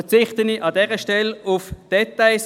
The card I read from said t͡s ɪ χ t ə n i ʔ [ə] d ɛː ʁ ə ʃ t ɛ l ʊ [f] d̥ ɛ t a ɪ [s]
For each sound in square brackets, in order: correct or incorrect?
incorrect: ɑ, correct, correct

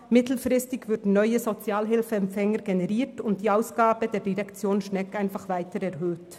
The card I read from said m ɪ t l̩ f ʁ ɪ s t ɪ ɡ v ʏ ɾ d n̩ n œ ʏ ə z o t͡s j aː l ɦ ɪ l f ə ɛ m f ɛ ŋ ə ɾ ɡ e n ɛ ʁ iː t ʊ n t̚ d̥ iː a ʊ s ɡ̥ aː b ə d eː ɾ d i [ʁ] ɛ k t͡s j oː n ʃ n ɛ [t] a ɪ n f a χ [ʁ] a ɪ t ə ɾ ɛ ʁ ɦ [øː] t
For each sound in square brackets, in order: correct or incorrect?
correct, incorrect: k, incorrect: v, correct

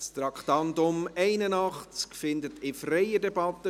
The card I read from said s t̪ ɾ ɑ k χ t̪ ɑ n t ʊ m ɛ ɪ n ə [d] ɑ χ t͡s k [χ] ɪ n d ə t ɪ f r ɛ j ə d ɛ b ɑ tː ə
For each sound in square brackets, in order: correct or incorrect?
incorrect: n, incorrect: f

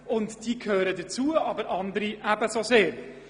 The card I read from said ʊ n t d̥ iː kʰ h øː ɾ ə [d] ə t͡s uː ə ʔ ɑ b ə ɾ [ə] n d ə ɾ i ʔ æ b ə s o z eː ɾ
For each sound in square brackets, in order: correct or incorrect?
correct, incorrect: ɑ

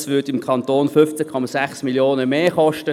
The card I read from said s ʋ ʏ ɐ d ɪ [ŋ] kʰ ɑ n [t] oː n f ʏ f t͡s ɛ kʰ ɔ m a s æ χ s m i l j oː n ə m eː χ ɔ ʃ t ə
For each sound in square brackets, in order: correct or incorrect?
incorrect: m, correct

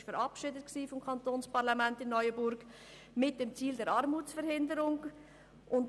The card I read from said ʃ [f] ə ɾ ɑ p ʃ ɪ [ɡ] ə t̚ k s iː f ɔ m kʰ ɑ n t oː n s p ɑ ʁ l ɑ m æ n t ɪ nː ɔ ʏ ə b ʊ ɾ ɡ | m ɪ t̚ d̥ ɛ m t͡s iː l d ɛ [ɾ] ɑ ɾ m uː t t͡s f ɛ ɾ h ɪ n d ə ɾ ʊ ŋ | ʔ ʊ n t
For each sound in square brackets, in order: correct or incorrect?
correct, incorrect: d, correct

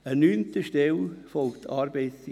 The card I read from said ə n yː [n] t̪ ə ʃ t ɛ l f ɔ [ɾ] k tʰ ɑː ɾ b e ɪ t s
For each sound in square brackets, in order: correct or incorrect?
correct, incorrect: l

